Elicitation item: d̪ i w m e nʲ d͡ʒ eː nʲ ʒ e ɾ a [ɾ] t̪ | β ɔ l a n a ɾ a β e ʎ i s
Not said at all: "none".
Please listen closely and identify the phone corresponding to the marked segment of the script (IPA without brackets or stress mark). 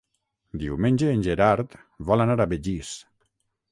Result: ɾ